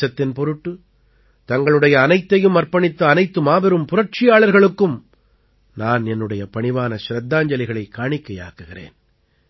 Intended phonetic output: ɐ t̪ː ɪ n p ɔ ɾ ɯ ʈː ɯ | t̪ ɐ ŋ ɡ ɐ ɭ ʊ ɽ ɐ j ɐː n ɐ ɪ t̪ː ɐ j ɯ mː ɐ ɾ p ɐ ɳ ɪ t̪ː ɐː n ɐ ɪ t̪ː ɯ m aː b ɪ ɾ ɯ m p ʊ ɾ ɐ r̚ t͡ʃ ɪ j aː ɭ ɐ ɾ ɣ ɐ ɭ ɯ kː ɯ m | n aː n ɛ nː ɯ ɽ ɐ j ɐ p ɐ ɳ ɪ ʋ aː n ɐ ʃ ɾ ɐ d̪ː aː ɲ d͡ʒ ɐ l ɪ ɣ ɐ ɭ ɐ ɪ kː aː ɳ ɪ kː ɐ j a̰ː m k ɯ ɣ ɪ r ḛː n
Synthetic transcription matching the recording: ɐ t̪ː ɪ n p ɔ ɾ ɯ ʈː ɯ | t̪ ɐ ŋ ɡ ɐ ɭ ɯ ɽ ɐ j ɐː n ɐ ɪ t̪ː ɐ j ɯ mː ɐ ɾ p ɐ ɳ ɪ t̪ː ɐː n ɐ ɪ t̪ː ɯ m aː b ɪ ɾ ɯ m p ʊ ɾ ɐ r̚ t͡ʃ ɪ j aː ɭ ɐ ɾ ɣ ɐ ɭ ɯ kː ɯ m | n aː n ɛ nː ɯ ɽ ɐ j ɐ p ɐ ɳ ɪ ʋ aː n ɐ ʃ ɾ ɐ d̪ː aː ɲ d͡ʒ ɐ l ɪ ɣ ɐ ɭ ɐ ɪ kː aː ɳ ɪ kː ɐ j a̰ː k ɯ ɣ ɪ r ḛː n